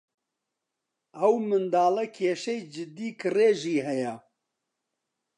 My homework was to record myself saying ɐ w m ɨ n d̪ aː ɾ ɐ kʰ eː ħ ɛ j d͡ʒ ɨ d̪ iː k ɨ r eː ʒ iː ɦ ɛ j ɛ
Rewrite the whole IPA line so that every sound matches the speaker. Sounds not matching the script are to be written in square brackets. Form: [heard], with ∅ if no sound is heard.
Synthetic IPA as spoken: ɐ w m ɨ n d̪ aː [l] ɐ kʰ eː [ʃ] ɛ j d͡ʒ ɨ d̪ iː k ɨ r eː ʒ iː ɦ ɛ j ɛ